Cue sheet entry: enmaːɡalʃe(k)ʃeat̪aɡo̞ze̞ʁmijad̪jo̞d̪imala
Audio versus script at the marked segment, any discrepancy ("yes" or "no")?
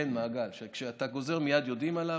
no